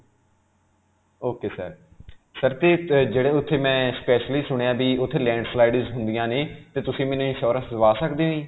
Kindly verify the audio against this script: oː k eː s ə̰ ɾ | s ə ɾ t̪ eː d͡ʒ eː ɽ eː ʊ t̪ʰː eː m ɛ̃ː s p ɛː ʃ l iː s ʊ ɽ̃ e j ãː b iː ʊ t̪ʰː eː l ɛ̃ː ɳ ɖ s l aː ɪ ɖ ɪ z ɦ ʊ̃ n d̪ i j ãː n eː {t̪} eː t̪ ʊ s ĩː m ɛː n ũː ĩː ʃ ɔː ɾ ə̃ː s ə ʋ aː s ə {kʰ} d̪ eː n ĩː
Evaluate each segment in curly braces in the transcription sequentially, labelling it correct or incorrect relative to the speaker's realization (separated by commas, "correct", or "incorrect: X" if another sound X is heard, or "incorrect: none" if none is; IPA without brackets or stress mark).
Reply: correct, incorrect: k